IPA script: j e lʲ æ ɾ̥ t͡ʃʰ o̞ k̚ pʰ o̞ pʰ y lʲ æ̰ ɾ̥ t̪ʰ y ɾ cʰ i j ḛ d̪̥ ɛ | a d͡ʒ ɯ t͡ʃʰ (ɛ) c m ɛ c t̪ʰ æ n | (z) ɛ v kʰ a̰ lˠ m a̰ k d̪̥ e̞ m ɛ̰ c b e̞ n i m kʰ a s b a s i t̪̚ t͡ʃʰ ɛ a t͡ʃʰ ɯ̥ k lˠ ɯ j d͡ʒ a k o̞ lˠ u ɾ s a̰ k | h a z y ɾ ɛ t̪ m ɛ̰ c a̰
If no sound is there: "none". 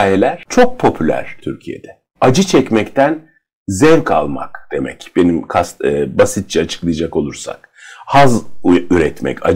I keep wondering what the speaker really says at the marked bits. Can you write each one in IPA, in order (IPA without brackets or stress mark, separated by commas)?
ɛ, z